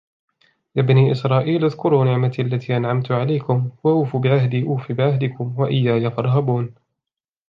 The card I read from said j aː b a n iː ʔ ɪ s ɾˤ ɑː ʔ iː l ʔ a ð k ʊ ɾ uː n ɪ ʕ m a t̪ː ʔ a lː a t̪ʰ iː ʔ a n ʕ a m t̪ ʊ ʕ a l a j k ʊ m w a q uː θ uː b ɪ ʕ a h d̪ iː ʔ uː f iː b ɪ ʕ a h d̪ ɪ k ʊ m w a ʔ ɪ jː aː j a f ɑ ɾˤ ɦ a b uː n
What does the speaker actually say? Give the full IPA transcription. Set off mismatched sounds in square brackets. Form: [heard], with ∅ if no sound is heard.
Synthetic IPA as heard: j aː b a n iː ʔ ɪ s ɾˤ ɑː ʔ iː l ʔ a ð k ʊ ɾ uː n ɪ ʕ m a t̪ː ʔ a lː a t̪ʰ iː ʔ a n ʕ a m t̪ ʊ ʕ a l a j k ʊ m w a [ʔ] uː [f] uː b ɪ ʕ a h d̪ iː ʔ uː f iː b ɪ ʕ a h d̪ ɪ k ʊ m w a ʔ ɪ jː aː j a f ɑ ɾˤ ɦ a b uː n